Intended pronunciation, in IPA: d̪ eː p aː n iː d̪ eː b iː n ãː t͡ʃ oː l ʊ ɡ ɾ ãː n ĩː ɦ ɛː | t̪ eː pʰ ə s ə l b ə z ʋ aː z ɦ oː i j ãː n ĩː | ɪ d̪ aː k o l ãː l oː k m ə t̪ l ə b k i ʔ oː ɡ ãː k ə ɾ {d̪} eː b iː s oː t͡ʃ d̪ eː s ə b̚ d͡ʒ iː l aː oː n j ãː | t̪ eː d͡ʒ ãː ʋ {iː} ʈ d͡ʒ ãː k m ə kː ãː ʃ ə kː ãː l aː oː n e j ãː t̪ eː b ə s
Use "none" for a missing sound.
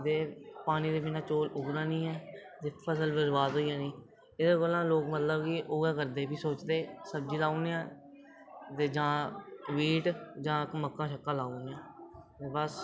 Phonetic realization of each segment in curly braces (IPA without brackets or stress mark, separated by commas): d̪, iː